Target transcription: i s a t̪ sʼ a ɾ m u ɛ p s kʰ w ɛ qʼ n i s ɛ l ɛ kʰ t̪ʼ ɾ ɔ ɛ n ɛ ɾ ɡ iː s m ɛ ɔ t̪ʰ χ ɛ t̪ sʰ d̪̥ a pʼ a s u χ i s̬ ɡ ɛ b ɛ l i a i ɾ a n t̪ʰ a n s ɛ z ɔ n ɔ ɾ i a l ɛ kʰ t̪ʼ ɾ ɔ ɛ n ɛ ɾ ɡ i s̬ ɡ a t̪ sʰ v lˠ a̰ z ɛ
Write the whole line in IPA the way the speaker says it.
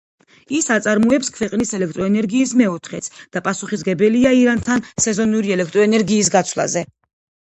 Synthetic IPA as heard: i s a t̪ sʼ a ɾ m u ɛ p s kʰ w ɛ qʼ n i s ɛ l ɛ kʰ t̪ʼ ɾ ɔ ɛ n ɛ ɾ ɡ iː s m ɛ ɔ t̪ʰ χ ɛ t̪ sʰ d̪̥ a pʼ a s u χ i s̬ ɡ ɛ b ɛ l i a i ɾ a n t̪ʰ a n s ɛ z ɔ n u ɾ i ɛ l ɛ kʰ t̪ʼ ɾ ɔ ɛ n ɛ ɾ ɡ iː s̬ ɡ a t̪ sʰ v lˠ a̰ z ɛ